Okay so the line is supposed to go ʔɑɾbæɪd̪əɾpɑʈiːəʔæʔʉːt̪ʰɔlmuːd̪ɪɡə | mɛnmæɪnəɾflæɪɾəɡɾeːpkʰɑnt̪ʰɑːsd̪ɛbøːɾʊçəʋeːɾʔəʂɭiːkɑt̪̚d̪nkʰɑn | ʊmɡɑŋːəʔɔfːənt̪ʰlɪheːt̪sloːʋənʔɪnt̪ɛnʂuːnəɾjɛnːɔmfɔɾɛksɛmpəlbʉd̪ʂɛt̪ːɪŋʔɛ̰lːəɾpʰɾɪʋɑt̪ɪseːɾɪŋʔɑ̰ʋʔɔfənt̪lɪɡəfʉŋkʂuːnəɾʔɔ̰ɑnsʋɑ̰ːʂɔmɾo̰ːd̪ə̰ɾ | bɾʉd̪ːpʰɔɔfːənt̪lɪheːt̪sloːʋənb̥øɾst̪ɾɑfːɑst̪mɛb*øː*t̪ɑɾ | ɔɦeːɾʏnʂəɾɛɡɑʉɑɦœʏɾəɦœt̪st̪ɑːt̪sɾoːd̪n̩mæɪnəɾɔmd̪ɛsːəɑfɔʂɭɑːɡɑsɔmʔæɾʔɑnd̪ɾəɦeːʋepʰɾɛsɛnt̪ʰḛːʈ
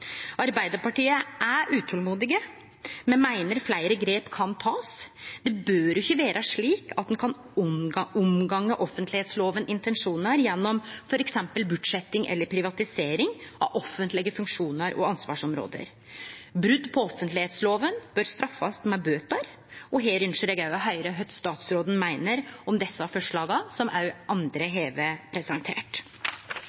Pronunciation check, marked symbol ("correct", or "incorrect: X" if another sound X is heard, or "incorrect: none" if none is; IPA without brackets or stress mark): correct